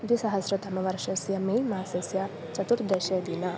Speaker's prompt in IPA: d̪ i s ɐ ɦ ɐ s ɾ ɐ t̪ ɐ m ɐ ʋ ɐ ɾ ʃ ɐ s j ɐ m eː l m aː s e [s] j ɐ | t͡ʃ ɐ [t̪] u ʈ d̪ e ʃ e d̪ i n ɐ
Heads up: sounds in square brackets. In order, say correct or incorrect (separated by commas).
correct, correct